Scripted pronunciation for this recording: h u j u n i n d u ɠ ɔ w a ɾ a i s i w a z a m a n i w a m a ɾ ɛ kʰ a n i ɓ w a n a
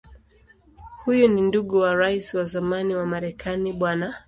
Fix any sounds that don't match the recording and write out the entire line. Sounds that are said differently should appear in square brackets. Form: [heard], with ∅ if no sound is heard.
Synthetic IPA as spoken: h u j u n i n d u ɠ [u] w a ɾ a i s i w a z a m a n i w a m a ɾ ɛ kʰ a n i ɓ w a n a